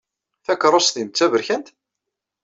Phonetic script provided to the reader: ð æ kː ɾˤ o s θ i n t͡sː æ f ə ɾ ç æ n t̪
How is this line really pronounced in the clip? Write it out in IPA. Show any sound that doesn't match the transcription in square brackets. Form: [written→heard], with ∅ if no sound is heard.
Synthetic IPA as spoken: [ð→θ] æ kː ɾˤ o s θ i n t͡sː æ [f→v] ə ɾ ç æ n t̪